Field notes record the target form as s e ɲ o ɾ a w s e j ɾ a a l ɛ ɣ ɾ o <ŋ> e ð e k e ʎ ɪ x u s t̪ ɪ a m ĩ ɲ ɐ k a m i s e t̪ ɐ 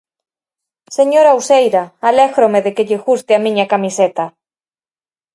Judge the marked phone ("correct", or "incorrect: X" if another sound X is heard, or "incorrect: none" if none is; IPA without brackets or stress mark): incorrect: m